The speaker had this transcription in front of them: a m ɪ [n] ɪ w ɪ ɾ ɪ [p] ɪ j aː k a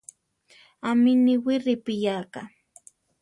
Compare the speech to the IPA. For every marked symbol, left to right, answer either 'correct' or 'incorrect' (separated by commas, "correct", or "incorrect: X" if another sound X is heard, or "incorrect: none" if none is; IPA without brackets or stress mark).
correct, correct